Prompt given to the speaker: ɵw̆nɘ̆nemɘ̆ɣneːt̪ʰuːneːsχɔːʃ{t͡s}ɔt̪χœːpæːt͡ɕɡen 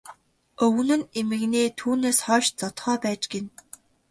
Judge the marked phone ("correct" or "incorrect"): correct